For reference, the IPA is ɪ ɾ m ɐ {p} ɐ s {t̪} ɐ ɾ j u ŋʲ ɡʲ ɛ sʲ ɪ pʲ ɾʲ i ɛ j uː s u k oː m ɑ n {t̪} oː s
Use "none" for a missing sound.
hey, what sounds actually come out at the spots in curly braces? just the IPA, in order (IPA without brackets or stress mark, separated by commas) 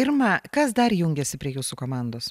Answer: k, d̪, d̪